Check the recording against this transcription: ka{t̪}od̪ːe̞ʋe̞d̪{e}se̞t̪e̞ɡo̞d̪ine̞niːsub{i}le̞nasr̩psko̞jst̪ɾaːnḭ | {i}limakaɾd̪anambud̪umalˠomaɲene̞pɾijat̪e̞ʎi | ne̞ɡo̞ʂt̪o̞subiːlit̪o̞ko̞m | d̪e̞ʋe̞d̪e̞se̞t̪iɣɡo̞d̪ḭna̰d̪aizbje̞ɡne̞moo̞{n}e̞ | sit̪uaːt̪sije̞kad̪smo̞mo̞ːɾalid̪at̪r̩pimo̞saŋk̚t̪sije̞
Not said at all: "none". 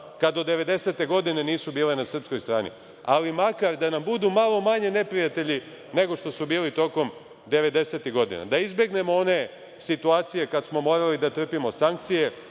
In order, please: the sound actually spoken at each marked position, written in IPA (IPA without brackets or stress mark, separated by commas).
d̪, e, iː, a, n